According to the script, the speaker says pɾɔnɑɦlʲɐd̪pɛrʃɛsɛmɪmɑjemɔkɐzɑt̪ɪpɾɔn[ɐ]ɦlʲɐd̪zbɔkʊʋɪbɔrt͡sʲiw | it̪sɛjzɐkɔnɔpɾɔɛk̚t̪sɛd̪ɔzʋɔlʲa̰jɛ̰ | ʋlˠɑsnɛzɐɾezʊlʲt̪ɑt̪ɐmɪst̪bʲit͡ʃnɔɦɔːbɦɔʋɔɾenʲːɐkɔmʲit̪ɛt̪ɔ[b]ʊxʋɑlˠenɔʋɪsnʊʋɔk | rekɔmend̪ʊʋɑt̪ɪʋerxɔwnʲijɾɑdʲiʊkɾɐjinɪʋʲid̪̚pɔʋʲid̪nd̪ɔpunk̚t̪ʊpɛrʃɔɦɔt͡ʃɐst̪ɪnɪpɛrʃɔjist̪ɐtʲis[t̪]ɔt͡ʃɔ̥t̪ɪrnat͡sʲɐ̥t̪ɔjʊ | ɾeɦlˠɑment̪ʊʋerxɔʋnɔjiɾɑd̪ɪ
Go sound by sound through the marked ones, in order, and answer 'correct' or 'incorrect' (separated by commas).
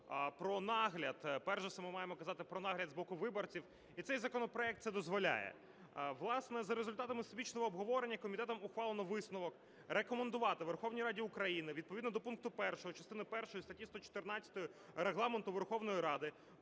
incorrect, incorrect, correct